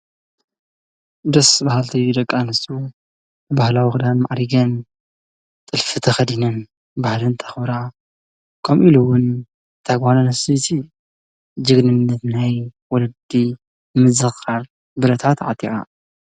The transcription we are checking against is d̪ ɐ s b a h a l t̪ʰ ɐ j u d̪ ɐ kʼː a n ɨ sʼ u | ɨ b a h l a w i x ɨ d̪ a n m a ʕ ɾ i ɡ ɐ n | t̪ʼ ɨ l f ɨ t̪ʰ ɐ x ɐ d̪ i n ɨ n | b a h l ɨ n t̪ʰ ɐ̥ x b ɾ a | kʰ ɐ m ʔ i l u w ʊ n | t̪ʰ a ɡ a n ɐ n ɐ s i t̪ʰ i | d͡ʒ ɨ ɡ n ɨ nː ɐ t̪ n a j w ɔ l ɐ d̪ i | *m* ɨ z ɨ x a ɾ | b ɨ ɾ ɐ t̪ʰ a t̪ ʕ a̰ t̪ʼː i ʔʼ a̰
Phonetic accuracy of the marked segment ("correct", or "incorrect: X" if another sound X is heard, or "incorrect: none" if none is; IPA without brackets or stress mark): correct